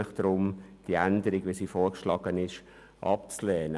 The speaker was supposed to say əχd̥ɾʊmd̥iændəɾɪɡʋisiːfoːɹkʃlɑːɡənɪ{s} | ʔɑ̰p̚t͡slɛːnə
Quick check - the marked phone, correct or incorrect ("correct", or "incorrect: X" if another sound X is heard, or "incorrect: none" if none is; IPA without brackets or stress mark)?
incorrect: ʃ